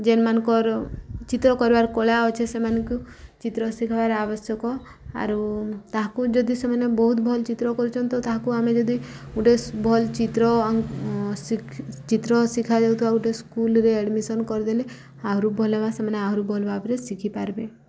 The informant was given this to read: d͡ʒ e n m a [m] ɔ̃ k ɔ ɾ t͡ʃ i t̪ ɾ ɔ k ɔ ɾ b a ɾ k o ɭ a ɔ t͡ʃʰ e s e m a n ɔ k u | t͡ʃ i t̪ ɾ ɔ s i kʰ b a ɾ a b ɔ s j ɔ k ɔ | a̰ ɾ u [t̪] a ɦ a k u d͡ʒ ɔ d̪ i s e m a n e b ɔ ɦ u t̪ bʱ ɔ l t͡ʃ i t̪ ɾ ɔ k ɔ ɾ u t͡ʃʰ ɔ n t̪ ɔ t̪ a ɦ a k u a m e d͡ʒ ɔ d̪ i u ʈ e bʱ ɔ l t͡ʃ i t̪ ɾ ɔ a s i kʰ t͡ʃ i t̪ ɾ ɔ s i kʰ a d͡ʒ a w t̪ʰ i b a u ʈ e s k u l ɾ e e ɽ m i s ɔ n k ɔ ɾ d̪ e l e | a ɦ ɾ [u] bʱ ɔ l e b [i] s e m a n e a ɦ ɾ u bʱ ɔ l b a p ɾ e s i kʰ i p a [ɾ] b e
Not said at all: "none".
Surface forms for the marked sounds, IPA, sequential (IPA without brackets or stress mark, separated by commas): n, t̪, u, a, ɾ